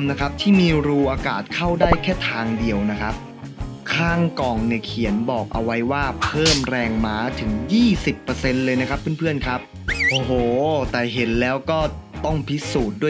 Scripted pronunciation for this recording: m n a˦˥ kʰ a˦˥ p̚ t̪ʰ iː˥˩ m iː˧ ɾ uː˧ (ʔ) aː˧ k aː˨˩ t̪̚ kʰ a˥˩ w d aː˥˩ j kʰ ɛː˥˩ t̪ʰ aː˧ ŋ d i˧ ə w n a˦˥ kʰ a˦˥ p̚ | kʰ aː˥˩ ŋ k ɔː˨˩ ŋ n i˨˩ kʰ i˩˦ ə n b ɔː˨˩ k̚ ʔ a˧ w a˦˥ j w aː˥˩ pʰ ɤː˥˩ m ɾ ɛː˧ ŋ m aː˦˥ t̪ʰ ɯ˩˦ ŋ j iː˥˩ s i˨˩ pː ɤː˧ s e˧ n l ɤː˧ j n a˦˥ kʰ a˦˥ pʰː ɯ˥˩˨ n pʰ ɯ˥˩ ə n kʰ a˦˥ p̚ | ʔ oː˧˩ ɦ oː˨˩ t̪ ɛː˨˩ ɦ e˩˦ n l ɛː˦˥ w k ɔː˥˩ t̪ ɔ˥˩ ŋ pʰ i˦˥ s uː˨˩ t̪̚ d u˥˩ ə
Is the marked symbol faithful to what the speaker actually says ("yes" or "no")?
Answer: yes